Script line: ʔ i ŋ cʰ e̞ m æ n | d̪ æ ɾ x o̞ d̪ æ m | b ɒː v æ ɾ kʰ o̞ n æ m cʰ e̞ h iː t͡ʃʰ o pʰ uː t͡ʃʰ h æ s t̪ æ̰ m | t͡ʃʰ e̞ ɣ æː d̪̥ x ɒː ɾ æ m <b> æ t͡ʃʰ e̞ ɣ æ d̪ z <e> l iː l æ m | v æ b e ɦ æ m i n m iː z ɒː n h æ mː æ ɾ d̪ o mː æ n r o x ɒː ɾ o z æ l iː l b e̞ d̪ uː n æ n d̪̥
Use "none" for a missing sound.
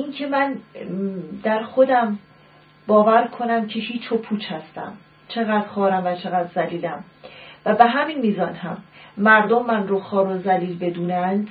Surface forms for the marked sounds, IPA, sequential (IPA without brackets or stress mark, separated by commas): v, æ